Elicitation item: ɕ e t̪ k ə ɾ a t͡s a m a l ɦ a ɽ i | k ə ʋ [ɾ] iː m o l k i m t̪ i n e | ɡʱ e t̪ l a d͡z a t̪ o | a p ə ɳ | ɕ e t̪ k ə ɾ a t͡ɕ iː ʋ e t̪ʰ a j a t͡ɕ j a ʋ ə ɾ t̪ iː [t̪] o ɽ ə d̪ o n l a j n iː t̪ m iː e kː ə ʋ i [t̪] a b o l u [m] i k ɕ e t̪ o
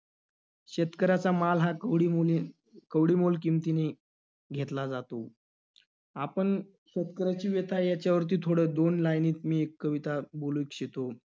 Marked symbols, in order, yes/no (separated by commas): no, no, yes, no